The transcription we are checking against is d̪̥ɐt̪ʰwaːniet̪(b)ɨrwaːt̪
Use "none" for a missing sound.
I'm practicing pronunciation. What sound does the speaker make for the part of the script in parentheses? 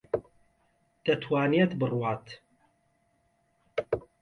b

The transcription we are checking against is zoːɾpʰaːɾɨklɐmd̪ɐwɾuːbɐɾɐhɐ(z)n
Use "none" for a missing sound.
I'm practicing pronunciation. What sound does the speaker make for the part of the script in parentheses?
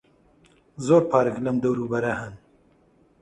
none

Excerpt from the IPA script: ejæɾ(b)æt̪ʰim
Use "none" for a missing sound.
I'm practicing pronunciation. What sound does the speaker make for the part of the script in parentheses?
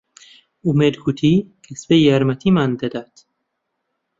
m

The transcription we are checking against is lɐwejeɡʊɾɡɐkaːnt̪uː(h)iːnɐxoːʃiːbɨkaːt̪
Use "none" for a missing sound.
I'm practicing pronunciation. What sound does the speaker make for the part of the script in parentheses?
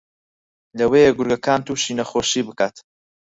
ʃ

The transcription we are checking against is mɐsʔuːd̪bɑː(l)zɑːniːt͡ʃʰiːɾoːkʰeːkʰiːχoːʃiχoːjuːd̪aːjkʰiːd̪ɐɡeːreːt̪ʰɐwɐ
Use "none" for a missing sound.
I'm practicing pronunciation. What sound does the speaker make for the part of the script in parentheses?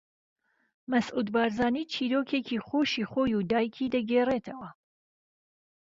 ɾ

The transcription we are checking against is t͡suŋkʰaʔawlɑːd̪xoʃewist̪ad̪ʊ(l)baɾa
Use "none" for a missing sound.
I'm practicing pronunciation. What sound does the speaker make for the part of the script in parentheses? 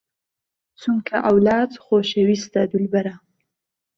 l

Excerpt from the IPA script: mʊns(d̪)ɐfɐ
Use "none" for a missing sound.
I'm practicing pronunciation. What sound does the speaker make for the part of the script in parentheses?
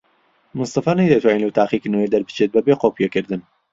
t̪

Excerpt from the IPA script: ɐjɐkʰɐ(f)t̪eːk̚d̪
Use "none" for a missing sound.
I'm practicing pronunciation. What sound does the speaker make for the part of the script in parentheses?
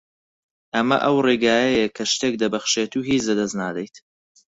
ʃ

